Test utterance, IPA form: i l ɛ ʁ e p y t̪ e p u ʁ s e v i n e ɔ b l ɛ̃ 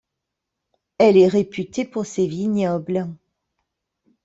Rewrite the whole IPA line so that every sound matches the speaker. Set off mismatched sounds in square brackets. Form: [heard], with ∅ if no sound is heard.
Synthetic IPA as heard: [ɛ] l ɛ ʁ e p y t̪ e p u ʁ s e v i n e ɔ b l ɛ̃